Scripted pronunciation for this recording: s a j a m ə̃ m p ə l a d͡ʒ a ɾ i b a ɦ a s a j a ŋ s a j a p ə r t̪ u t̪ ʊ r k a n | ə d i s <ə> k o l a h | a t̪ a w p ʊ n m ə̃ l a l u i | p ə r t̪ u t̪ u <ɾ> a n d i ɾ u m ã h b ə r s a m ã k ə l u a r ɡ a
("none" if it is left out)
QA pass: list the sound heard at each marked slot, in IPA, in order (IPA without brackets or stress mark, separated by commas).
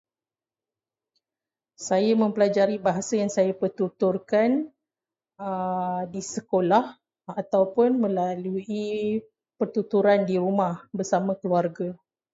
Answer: ə, ɾ